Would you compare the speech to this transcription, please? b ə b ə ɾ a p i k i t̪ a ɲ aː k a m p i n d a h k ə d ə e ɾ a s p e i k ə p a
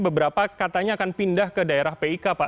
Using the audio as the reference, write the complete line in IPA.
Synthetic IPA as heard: b ə b ə ɾ a p a k a t̪ a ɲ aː k a n p i n d a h k ə d a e ɾ a h p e i k a p a